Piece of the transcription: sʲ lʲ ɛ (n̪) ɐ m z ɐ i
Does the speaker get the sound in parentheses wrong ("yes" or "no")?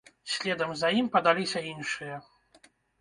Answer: yes